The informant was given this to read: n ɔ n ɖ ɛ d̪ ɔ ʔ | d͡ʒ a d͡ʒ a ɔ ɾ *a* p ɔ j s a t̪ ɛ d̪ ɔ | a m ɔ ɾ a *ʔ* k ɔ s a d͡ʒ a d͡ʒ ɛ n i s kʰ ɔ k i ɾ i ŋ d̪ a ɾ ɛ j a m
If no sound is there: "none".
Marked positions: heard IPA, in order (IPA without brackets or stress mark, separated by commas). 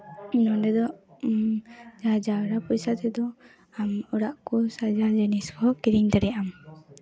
a, ʔ